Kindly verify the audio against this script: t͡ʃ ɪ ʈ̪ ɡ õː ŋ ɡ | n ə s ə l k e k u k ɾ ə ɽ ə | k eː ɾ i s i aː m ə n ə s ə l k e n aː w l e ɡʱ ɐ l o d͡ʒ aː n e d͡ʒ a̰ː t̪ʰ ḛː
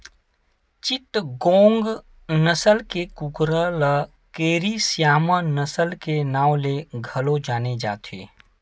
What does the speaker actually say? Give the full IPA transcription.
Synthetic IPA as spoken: t͡ʃ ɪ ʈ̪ ɡ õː ŋ ɡ | n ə s ə l k e k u k ɾ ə l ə | k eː ɾ i s j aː m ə n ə s ə l k e n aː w l e ɡʱ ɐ l o d͡ʒ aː n e d͡ʒ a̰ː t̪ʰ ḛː